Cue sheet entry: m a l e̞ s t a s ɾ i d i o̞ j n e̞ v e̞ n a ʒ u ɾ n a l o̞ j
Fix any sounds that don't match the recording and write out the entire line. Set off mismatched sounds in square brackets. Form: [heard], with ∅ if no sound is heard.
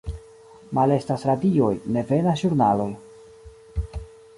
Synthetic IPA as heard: m a l e̞ s t a s ɾ [a] d i o̞ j n e̞ v e̞ n a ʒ u ɾ n a l o̞ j